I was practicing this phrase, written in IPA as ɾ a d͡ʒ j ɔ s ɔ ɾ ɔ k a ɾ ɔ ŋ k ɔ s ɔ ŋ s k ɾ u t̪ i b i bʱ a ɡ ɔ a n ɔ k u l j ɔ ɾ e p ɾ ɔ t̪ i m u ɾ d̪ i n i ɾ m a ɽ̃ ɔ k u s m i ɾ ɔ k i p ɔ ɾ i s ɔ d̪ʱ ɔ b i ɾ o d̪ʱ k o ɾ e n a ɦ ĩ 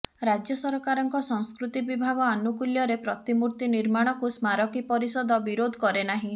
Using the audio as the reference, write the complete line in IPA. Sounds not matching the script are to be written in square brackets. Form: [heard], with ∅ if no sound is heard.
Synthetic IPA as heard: ɾ a d͡ʒ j ɔ s ɔ ɾ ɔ k a ɾ ɔ ŋ k ɔ s ɔ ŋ s k ɾ u t̪ i b i bʱ a ɡ ɔ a n [u] k u l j ɔ ɾ e p ɾ ɔ t̪ i m u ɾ [t̪] i n i ɾ m a ɽ̃ ɔ k u s m [a] ɾ ɔ k i p ɔ ɾ i s ɔ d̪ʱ ɔ b i ɾ o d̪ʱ k [ɔ] ɾ e n a ɦ ĩ